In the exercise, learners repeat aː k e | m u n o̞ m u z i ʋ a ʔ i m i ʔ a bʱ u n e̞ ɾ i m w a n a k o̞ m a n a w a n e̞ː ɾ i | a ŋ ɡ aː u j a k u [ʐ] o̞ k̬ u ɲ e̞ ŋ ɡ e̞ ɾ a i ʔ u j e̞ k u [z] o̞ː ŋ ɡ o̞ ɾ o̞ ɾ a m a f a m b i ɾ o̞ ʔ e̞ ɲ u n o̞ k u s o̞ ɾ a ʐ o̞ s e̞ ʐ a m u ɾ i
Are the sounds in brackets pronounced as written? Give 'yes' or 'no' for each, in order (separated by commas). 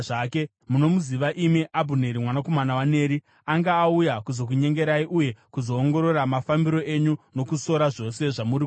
no, yes